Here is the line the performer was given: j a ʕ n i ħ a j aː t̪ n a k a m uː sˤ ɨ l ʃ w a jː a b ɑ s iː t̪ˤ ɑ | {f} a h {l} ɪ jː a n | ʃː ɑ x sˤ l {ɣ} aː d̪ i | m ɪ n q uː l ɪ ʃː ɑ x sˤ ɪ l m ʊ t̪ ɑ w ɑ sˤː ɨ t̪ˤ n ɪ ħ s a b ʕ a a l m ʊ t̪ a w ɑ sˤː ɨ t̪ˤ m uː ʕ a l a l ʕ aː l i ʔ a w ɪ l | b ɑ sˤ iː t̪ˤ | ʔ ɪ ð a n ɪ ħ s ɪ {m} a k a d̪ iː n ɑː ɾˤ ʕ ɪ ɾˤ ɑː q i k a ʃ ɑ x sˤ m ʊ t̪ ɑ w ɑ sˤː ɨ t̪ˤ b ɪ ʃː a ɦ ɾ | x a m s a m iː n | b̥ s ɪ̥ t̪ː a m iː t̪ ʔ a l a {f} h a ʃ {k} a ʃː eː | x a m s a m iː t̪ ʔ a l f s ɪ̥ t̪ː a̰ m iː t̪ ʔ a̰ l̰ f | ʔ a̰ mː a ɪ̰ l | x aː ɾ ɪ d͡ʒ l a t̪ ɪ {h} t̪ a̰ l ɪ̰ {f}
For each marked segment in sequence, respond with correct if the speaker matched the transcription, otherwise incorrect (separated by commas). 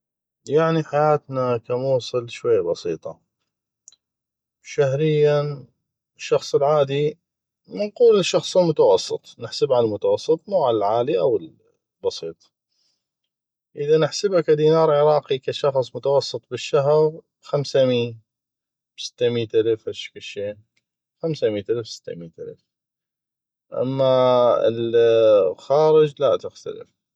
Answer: incorrect, incorrect, incorrect, incorrect, correct, correct, incorrect, correct